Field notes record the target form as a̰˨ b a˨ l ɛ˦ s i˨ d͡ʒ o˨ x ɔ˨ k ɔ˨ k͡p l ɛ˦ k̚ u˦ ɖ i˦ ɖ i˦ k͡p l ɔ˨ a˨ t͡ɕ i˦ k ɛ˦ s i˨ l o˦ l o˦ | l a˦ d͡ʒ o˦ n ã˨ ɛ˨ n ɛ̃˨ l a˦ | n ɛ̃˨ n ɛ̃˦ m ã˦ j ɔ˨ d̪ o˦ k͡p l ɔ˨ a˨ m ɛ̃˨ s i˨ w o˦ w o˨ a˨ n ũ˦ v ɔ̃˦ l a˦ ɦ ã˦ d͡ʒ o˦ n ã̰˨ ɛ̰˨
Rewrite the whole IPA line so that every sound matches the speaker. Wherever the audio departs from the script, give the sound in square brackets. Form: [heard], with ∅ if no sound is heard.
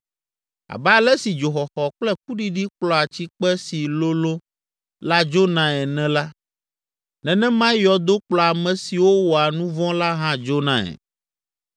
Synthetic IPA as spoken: a̰˨ b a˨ l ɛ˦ s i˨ d͡ʒ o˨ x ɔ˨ [x] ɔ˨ k͡p l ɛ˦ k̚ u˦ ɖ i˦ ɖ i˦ k͡p l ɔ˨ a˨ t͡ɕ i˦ [k͡p] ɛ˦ s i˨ l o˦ l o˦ | l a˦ d͡ʒ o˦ n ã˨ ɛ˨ n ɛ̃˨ l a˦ | n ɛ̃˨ n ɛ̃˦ m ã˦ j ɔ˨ d̪ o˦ k͡p l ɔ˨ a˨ m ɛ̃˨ s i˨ w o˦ w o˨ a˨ n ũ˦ v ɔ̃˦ l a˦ ɦ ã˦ d͡ʒ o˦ n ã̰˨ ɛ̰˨